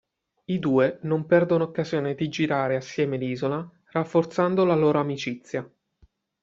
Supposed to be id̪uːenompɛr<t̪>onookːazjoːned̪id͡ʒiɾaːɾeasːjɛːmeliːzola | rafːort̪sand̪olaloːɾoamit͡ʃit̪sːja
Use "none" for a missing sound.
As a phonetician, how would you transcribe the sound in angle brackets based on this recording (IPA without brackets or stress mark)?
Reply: d̪